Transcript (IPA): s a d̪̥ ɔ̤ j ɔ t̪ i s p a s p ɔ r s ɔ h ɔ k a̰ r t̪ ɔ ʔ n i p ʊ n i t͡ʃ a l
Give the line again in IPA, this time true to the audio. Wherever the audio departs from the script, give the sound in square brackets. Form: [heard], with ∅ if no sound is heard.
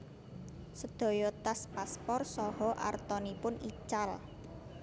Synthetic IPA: s [ə] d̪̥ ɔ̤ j ɔ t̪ [a] s p a s p ɔ r s ɔ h ɔ [ʔ] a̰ r t̪ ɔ [∅] n i p ʊ n i t͡ʃ a l